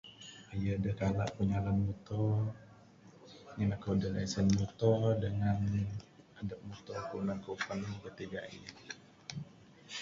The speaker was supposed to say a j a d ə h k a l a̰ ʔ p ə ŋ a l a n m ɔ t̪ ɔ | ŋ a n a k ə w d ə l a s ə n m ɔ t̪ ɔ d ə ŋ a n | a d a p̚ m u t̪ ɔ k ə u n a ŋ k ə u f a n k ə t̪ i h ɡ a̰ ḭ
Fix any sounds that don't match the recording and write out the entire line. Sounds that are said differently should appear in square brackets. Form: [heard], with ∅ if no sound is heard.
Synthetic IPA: a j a d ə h k a l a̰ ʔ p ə [ɲ] a l a n m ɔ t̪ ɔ | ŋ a n a k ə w d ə l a s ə n m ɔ t̪ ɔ d ə ŋ a n | a d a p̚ m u t̪ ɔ k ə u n a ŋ k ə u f a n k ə t̪ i [∅] ɡ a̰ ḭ